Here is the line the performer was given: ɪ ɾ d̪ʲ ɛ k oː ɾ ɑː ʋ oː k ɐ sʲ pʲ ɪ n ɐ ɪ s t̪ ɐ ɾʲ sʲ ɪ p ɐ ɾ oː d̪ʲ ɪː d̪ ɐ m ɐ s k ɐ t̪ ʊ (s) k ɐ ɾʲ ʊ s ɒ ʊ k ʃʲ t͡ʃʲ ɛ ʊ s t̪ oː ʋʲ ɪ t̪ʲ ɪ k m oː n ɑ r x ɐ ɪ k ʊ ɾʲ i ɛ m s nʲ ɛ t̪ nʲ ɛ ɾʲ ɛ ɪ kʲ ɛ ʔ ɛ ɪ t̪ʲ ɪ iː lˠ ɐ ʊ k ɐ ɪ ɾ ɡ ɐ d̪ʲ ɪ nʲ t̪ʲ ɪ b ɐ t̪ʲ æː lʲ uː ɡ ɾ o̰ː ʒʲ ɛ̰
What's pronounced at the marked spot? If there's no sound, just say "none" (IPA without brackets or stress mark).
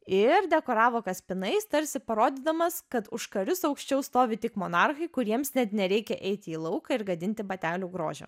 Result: ʃ